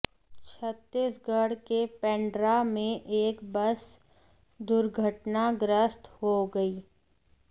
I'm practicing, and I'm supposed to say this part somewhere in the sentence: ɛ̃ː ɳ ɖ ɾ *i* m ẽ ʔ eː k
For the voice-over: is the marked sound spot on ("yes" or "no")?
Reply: no